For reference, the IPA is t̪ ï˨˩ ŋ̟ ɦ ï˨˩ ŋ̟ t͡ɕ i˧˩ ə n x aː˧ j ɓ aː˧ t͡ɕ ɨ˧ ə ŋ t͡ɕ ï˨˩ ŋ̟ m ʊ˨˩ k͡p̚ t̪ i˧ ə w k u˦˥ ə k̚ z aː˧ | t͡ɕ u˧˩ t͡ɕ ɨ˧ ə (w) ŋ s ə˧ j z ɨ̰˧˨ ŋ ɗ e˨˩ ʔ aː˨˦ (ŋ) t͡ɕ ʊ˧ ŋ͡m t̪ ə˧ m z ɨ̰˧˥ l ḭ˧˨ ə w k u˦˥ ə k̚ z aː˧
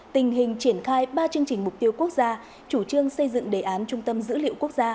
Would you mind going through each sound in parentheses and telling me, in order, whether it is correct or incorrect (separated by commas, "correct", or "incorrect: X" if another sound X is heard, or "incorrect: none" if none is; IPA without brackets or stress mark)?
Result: incorrect: none, incorrect: n